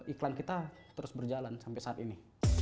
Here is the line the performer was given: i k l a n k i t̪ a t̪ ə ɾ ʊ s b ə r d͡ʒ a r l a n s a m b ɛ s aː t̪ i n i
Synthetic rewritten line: i k l a n k i t̪ a t̪ ə ɾ ʊ s b ə r d͡ʒ a l a n s a m p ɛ s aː t̪ i n i